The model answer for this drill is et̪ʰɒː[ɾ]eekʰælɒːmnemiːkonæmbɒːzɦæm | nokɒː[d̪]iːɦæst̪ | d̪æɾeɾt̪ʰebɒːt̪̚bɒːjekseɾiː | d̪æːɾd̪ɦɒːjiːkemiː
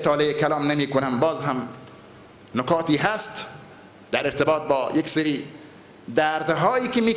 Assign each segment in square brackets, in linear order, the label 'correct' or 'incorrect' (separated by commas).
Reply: incorrect, incorrect